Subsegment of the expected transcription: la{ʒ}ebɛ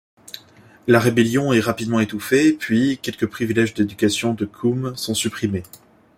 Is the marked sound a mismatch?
yes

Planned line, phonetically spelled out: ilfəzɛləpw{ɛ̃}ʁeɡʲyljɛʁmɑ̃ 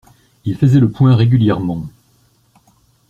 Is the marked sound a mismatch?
no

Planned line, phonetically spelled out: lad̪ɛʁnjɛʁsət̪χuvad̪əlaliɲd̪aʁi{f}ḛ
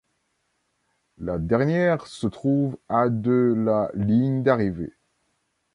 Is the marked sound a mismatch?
yes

